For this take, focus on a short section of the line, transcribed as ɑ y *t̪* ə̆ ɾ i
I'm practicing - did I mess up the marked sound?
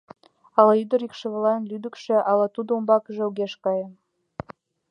yes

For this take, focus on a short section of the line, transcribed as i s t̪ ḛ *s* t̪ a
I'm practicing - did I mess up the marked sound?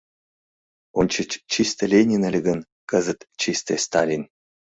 no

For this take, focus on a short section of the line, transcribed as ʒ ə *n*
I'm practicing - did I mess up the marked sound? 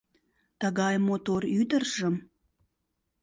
yes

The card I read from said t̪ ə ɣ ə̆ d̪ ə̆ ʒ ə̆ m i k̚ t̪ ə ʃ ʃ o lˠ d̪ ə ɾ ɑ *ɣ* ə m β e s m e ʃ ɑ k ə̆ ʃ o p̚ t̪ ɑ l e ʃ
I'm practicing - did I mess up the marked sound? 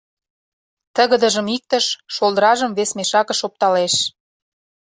yes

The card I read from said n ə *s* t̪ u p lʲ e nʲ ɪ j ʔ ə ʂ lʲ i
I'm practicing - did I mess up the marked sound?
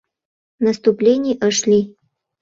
no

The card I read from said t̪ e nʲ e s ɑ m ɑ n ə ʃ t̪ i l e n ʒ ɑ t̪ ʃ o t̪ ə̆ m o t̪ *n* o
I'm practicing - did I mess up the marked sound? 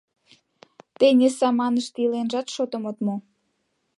yes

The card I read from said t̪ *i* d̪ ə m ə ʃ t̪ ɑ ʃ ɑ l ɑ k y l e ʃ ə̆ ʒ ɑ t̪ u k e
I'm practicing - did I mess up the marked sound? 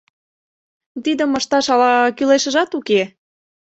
no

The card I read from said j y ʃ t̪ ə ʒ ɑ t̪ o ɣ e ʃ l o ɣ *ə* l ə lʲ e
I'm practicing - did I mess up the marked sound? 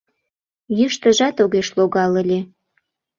yes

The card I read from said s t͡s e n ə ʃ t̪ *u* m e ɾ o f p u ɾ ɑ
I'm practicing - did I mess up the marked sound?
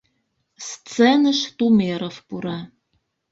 no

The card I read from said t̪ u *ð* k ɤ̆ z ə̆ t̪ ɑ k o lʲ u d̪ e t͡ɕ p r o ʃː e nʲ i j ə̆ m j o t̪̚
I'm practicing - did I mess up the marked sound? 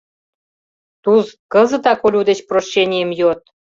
yes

